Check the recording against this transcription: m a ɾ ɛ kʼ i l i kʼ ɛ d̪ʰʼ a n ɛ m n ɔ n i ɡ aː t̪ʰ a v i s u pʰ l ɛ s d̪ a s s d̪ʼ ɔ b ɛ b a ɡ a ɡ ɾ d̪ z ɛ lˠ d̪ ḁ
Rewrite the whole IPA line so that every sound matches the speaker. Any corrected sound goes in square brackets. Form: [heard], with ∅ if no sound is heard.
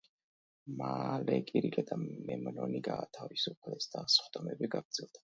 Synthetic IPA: m a [l] ɛ kʼ i [ɾ] i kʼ ɛ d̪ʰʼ a [m] ɛ m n ɔ n i ɡ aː t̪ʰ a v i s u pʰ l ɛ s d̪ a s [χ] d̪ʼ ɔ [m] ɛ b [i] ɡ a ɡ ɾ d̪ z ɛ lˠ d̪ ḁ